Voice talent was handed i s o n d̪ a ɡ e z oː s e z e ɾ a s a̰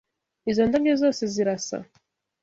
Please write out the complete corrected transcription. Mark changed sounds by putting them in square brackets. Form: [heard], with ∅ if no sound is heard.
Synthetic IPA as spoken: i [z] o n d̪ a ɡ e z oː s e z [i] ɾ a s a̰

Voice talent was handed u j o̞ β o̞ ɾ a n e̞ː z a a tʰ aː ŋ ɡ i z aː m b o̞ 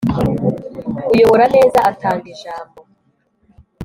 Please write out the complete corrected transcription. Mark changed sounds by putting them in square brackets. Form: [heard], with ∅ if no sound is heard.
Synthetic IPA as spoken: u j o̞ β o̞ ɾ a n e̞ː z a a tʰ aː ŋ ɡ i [ʒ] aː m b o̞

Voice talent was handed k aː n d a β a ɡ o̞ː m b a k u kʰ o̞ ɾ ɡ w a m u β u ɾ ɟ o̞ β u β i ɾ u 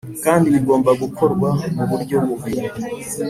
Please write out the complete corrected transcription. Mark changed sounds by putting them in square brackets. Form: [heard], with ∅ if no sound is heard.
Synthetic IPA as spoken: k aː n d [i] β [i] ɡ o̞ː m b a [ɡ] u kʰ o̞ ɾ ɡ w a m u β u ɾ ɟ o̞ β u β i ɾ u

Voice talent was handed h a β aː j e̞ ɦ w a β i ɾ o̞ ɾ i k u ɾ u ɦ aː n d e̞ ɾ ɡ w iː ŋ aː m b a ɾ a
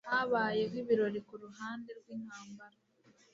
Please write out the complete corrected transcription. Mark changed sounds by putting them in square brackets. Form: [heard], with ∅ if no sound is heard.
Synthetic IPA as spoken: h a β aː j e̞ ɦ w [i] β i ɾ o̞ ɾ i k u ɾ u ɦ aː n d e̞ ɾ ɡ w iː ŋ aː m b a ɾ a

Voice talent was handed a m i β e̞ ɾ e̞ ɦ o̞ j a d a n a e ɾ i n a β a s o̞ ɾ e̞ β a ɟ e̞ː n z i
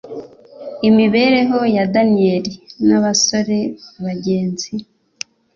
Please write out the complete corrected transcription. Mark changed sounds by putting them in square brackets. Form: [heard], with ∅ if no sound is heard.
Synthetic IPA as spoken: [i] m i β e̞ ɾ e̞ ɦ o̞ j a d a n [i] e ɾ i n a β a s o̞ ɾ e̞ β a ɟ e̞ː n z i

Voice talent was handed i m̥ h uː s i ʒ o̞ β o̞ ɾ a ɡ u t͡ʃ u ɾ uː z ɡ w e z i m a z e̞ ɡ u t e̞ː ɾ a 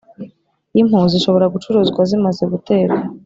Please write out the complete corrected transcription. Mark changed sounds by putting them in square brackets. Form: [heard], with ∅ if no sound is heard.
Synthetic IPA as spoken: i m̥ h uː [z] i [ʃ] o̞ β o̞ ɾ a ɡ u t͡ʃ u ɾ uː z ɡ w [a] z i m a z e̞ ɡ u t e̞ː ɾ a

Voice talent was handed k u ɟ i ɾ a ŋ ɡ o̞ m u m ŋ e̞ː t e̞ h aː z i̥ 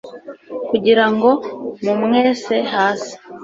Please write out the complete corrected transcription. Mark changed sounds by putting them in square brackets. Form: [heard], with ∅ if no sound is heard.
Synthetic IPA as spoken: k u ɟ i ɾ a ŋ ɡ o̞ m u m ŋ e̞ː [s] e̞ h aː [s] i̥

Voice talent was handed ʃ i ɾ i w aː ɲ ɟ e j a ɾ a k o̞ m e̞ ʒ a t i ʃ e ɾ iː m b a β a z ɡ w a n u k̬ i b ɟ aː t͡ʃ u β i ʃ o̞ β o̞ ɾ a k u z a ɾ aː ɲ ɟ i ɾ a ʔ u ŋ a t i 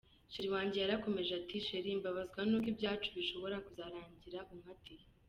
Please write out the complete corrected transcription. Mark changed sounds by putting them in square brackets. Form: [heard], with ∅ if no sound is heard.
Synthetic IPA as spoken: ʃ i ɾ i w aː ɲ ɟ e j a ɾ a k o̞ m e̞ ʒ a t i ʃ e ɾ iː m b a β a z ɡ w a n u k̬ i b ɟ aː t͡ʃ u β i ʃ o̞ β o̞ ɾ a k u z a ɾ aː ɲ ɟ i ɾ a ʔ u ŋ a t i

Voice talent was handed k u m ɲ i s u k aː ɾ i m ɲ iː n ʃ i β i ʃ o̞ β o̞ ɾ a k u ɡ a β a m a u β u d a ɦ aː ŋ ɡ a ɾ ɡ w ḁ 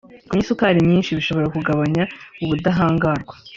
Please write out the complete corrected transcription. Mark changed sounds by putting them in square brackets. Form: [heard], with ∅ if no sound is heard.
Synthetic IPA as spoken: k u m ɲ i s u k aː ɾ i m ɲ iː n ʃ i β i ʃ o̞ β o̞ ɾ a k u ɡ a β a [ɲ] a u β u d a ɦ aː ŋ ɡ a ɾ ɡ w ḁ

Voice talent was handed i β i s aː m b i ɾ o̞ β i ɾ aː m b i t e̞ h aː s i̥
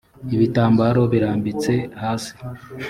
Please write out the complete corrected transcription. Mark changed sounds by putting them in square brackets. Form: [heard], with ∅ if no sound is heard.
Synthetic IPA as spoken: i β i [t] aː m b [a] ɾ o̞ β i ɾ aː m b i [t͡s] e̞ h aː s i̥

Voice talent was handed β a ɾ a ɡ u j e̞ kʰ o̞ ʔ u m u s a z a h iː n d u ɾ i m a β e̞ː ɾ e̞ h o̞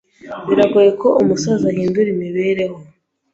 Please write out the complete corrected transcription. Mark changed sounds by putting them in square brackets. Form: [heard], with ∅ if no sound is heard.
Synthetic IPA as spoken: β [i] ɾ a ɡ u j e̞ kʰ o̞ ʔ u m u s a z a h iː n d u ɾ i m [i] β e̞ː ɾ e̞ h o̞

